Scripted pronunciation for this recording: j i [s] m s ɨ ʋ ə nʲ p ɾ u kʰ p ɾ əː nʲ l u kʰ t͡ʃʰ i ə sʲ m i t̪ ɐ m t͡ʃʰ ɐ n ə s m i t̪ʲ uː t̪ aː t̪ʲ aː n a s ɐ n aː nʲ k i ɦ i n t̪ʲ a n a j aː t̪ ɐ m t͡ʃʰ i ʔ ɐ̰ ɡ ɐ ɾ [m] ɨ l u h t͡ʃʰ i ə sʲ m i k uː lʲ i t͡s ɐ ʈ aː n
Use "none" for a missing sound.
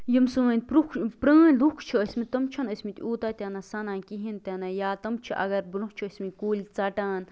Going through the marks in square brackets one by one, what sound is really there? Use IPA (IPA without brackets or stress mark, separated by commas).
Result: none, b